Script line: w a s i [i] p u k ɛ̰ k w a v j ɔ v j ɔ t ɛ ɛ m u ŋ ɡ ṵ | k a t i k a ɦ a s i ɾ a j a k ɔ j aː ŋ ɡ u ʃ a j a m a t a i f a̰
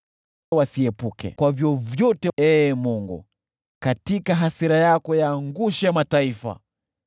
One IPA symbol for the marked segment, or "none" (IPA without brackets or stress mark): ɛ